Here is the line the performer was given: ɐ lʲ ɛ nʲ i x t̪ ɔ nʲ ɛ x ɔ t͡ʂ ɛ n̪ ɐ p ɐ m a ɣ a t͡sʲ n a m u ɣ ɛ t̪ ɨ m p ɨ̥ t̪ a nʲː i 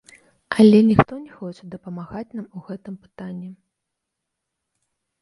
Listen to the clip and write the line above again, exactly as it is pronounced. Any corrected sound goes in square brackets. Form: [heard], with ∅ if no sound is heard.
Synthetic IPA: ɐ lʲ ɛ nʲ i x t̪ ɔ nʲ ɛ x ɔ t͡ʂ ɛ [d̪] ɐ p ɐ m a ɣ a t͡sʲ n a m u ɣ ɛ t̪ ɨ m p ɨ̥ t̪ a nʲː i